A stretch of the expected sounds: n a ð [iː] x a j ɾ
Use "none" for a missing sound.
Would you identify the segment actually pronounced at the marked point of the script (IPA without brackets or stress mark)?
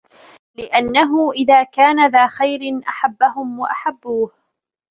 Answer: aː